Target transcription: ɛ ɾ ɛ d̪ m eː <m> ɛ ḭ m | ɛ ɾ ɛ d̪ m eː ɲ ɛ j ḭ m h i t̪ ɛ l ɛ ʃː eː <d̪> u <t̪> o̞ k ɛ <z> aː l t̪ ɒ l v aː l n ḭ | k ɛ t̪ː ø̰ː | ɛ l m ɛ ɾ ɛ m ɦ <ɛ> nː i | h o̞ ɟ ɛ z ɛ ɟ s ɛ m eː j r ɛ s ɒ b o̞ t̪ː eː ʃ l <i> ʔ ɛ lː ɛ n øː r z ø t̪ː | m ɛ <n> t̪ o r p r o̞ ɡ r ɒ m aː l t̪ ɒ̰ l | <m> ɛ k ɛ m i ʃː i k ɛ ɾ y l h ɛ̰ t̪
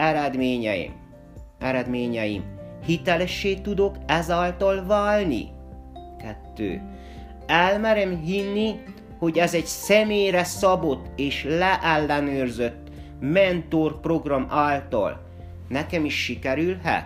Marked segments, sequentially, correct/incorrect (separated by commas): incorrect, incorrect, incorrect, correct, incorrect, incorrect, correct, incorrect